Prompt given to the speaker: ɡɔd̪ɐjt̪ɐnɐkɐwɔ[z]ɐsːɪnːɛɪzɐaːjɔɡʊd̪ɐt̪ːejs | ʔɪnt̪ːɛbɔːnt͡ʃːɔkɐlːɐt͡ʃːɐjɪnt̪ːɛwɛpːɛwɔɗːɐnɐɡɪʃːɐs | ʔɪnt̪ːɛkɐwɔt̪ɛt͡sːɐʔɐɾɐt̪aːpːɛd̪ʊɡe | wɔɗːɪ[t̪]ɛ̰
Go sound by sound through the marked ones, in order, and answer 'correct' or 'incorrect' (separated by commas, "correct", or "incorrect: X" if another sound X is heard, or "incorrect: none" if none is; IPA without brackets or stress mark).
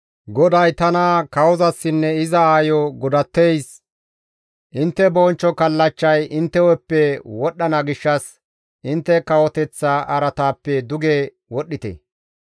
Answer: correct, correct